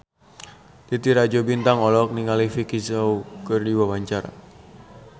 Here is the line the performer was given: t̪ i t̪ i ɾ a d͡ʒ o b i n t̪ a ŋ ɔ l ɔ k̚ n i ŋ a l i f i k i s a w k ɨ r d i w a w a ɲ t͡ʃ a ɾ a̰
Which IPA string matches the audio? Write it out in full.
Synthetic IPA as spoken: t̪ i t̪ i ɾ a d͡ʒ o b i n t̪ a ŋ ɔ l ɔ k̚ n i ŋ a l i f i k i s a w k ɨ r d i w a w a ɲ t͡ʃ a ɾ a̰